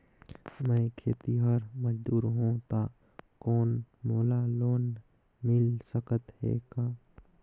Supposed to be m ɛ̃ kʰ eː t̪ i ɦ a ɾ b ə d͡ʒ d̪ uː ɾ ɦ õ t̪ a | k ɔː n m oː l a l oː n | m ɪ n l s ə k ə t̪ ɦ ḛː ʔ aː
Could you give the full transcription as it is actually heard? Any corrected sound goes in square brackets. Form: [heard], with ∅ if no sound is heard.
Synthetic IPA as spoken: m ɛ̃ kʰ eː t̪ i ɦ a ɾ [m] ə d͡ʒ d̪ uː ɾ ɦ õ t̪ a | k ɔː n m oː l a l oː n | m ɪ [∅] l s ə k ə t̪ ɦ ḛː [k] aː